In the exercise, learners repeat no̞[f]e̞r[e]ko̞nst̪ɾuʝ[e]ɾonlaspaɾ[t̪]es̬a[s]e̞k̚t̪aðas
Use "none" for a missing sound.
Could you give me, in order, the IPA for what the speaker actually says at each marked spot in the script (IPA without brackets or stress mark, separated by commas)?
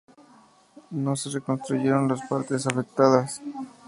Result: s, e, e, t̪, f